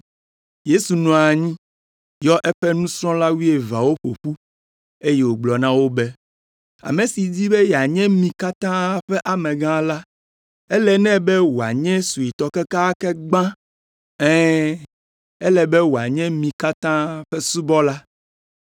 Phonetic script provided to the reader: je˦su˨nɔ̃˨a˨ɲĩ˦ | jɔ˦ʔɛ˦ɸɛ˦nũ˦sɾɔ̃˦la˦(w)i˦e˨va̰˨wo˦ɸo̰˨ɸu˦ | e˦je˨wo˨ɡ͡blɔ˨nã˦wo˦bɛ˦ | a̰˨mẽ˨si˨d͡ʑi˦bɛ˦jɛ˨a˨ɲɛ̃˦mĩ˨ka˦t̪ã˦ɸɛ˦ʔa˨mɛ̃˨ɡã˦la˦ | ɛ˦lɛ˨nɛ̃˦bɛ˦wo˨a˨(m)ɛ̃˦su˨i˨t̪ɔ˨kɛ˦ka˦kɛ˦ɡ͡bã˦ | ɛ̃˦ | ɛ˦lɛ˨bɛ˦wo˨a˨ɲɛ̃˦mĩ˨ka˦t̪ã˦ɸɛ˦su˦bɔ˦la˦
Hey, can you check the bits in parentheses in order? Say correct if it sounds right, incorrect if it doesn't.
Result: correct, incorrect: ɲ

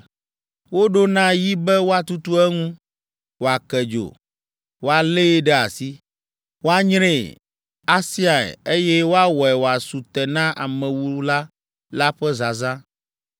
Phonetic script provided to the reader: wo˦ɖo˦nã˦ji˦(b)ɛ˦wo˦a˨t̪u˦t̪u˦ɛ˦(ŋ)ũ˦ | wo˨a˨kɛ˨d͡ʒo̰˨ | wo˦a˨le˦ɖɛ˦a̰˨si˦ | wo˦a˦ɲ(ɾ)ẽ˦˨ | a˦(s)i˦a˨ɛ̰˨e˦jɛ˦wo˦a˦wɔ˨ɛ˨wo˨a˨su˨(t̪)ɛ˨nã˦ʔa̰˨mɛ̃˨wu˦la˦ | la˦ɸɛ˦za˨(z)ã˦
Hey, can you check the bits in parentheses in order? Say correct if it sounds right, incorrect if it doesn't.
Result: correct, correct, correct, correct, correct, correct

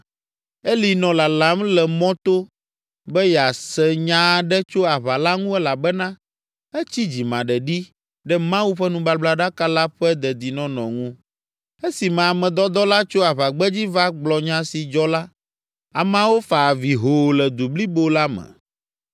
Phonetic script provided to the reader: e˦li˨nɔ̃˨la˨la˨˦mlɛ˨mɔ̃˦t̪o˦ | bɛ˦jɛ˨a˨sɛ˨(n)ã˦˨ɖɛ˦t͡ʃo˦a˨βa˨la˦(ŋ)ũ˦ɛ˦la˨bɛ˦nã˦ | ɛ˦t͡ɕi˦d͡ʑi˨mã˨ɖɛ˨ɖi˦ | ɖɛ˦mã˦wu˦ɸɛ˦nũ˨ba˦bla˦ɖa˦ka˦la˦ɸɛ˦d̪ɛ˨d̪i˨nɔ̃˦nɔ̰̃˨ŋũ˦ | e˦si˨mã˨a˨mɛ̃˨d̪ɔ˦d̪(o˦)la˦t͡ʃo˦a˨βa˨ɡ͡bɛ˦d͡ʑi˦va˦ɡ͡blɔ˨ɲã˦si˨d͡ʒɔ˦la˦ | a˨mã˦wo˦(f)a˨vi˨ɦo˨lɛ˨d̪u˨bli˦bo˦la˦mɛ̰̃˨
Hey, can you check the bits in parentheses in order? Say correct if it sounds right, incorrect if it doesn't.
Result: incorrect: ɲ, correct, incorrect: ɔ˦, correct

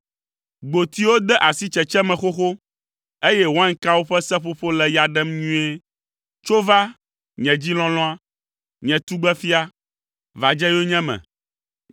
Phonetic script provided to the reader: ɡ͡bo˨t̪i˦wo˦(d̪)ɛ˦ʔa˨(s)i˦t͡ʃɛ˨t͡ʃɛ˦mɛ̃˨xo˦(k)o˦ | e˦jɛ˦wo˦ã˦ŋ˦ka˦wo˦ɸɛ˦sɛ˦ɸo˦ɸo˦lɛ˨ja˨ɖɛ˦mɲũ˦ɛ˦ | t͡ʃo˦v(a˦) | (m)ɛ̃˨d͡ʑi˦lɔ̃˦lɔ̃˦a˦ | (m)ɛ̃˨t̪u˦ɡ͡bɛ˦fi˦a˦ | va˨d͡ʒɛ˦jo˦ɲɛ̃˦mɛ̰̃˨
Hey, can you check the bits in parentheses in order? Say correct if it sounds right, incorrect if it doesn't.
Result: correct, correct, incorrect: x, correct, incorrect: ɲ, incorrect: ɲ

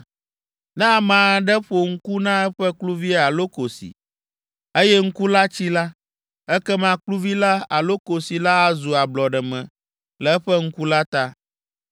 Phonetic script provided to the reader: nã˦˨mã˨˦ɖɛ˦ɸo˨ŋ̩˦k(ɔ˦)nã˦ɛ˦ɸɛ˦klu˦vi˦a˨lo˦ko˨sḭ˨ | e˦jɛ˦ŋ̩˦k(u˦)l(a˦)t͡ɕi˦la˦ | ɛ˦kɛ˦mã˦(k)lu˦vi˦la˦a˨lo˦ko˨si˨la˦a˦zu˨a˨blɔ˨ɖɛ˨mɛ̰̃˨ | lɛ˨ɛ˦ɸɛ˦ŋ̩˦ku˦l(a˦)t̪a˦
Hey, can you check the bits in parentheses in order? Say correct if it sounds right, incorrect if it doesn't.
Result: incorrect: u˦, correct, correct, correct, correct

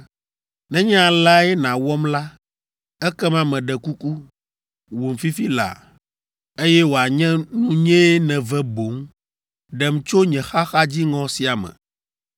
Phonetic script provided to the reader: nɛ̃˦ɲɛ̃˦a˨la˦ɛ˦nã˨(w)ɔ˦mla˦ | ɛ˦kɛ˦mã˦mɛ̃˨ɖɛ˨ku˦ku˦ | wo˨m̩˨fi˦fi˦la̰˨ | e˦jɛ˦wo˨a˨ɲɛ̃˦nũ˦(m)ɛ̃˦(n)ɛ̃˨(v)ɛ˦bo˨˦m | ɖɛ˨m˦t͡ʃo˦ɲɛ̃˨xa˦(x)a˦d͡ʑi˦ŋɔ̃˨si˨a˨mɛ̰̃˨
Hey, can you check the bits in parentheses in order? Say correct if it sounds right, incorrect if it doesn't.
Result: correct, incorrect: ɲ, correct, correct, correct

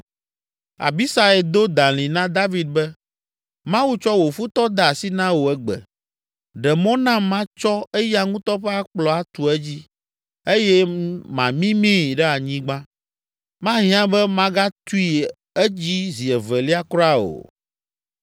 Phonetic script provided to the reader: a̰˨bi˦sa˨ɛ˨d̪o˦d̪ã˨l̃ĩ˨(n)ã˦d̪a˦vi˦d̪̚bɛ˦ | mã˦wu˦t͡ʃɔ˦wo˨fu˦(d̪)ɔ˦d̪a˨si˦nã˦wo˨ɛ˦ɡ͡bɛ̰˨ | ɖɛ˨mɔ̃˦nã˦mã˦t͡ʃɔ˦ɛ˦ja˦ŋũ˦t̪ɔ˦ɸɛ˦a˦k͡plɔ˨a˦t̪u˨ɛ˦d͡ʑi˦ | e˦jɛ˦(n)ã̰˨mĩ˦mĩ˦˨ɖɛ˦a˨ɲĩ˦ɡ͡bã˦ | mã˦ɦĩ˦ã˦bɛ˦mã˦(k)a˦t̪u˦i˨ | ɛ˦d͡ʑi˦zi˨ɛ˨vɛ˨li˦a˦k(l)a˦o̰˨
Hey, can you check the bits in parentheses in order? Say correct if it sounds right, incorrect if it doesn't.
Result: correct, incorrect: t̪, incorrect: m, incorrect: ɡ, incorrect: ɾ

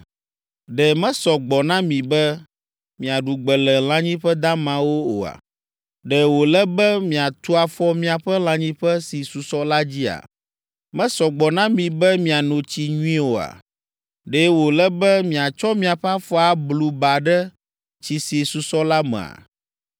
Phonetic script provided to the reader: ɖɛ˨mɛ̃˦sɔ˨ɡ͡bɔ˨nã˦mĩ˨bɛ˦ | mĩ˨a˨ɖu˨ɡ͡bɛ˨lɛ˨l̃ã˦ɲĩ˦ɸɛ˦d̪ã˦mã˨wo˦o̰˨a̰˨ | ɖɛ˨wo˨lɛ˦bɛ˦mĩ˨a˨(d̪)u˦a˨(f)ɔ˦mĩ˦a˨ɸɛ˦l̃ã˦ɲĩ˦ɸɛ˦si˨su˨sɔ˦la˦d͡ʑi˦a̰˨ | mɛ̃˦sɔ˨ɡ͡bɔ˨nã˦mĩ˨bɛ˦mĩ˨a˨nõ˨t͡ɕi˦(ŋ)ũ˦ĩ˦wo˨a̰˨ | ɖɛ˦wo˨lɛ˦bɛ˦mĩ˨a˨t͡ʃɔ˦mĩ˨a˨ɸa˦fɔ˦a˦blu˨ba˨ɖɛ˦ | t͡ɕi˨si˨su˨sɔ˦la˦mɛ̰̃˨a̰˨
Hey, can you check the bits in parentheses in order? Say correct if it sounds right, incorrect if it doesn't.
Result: incorrect: t̪, correct, incorrect: ɲ

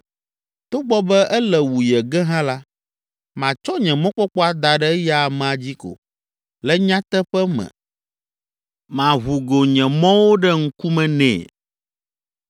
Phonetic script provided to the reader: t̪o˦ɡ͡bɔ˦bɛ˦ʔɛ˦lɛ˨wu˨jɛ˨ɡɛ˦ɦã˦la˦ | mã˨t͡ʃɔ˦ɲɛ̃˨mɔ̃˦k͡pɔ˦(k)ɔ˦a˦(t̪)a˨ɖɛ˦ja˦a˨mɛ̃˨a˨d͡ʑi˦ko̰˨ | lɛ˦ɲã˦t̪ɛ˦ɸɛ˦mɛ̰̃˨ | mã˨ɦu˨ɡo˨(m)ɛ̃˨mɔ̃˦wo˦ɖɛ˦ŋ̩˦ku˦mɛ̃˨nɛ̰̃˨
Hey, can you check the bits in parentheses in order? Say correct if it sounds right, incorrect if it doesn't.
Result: incorrect: k͡p, incorrect: d̪, incorrect: ɲ

